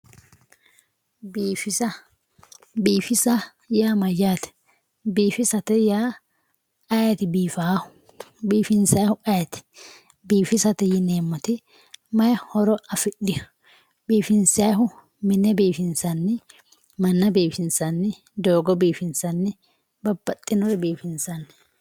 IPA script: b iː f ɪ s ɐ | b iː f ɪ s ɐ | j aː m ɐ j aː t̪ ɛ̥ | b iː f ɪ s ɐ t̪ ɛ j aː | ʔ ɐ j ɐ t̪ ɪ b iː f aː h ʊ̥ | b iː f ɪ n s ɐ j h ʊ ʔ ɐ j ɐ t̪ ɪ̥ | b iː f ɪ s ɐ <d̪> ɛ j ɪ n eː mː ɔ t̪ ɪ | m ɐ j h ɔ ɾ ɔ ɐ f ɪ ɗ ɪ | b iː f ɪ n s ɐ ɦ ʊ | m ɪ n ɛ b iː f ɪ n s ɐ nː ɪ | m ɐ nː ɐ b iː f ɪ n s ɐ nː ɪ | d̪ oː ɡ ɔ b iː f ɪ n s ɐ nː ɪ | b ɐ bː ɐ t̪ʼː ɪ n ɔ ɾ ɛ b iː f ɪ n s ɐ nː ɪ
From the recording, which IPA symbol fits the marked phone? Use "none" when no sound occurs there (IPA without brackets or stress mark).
t̪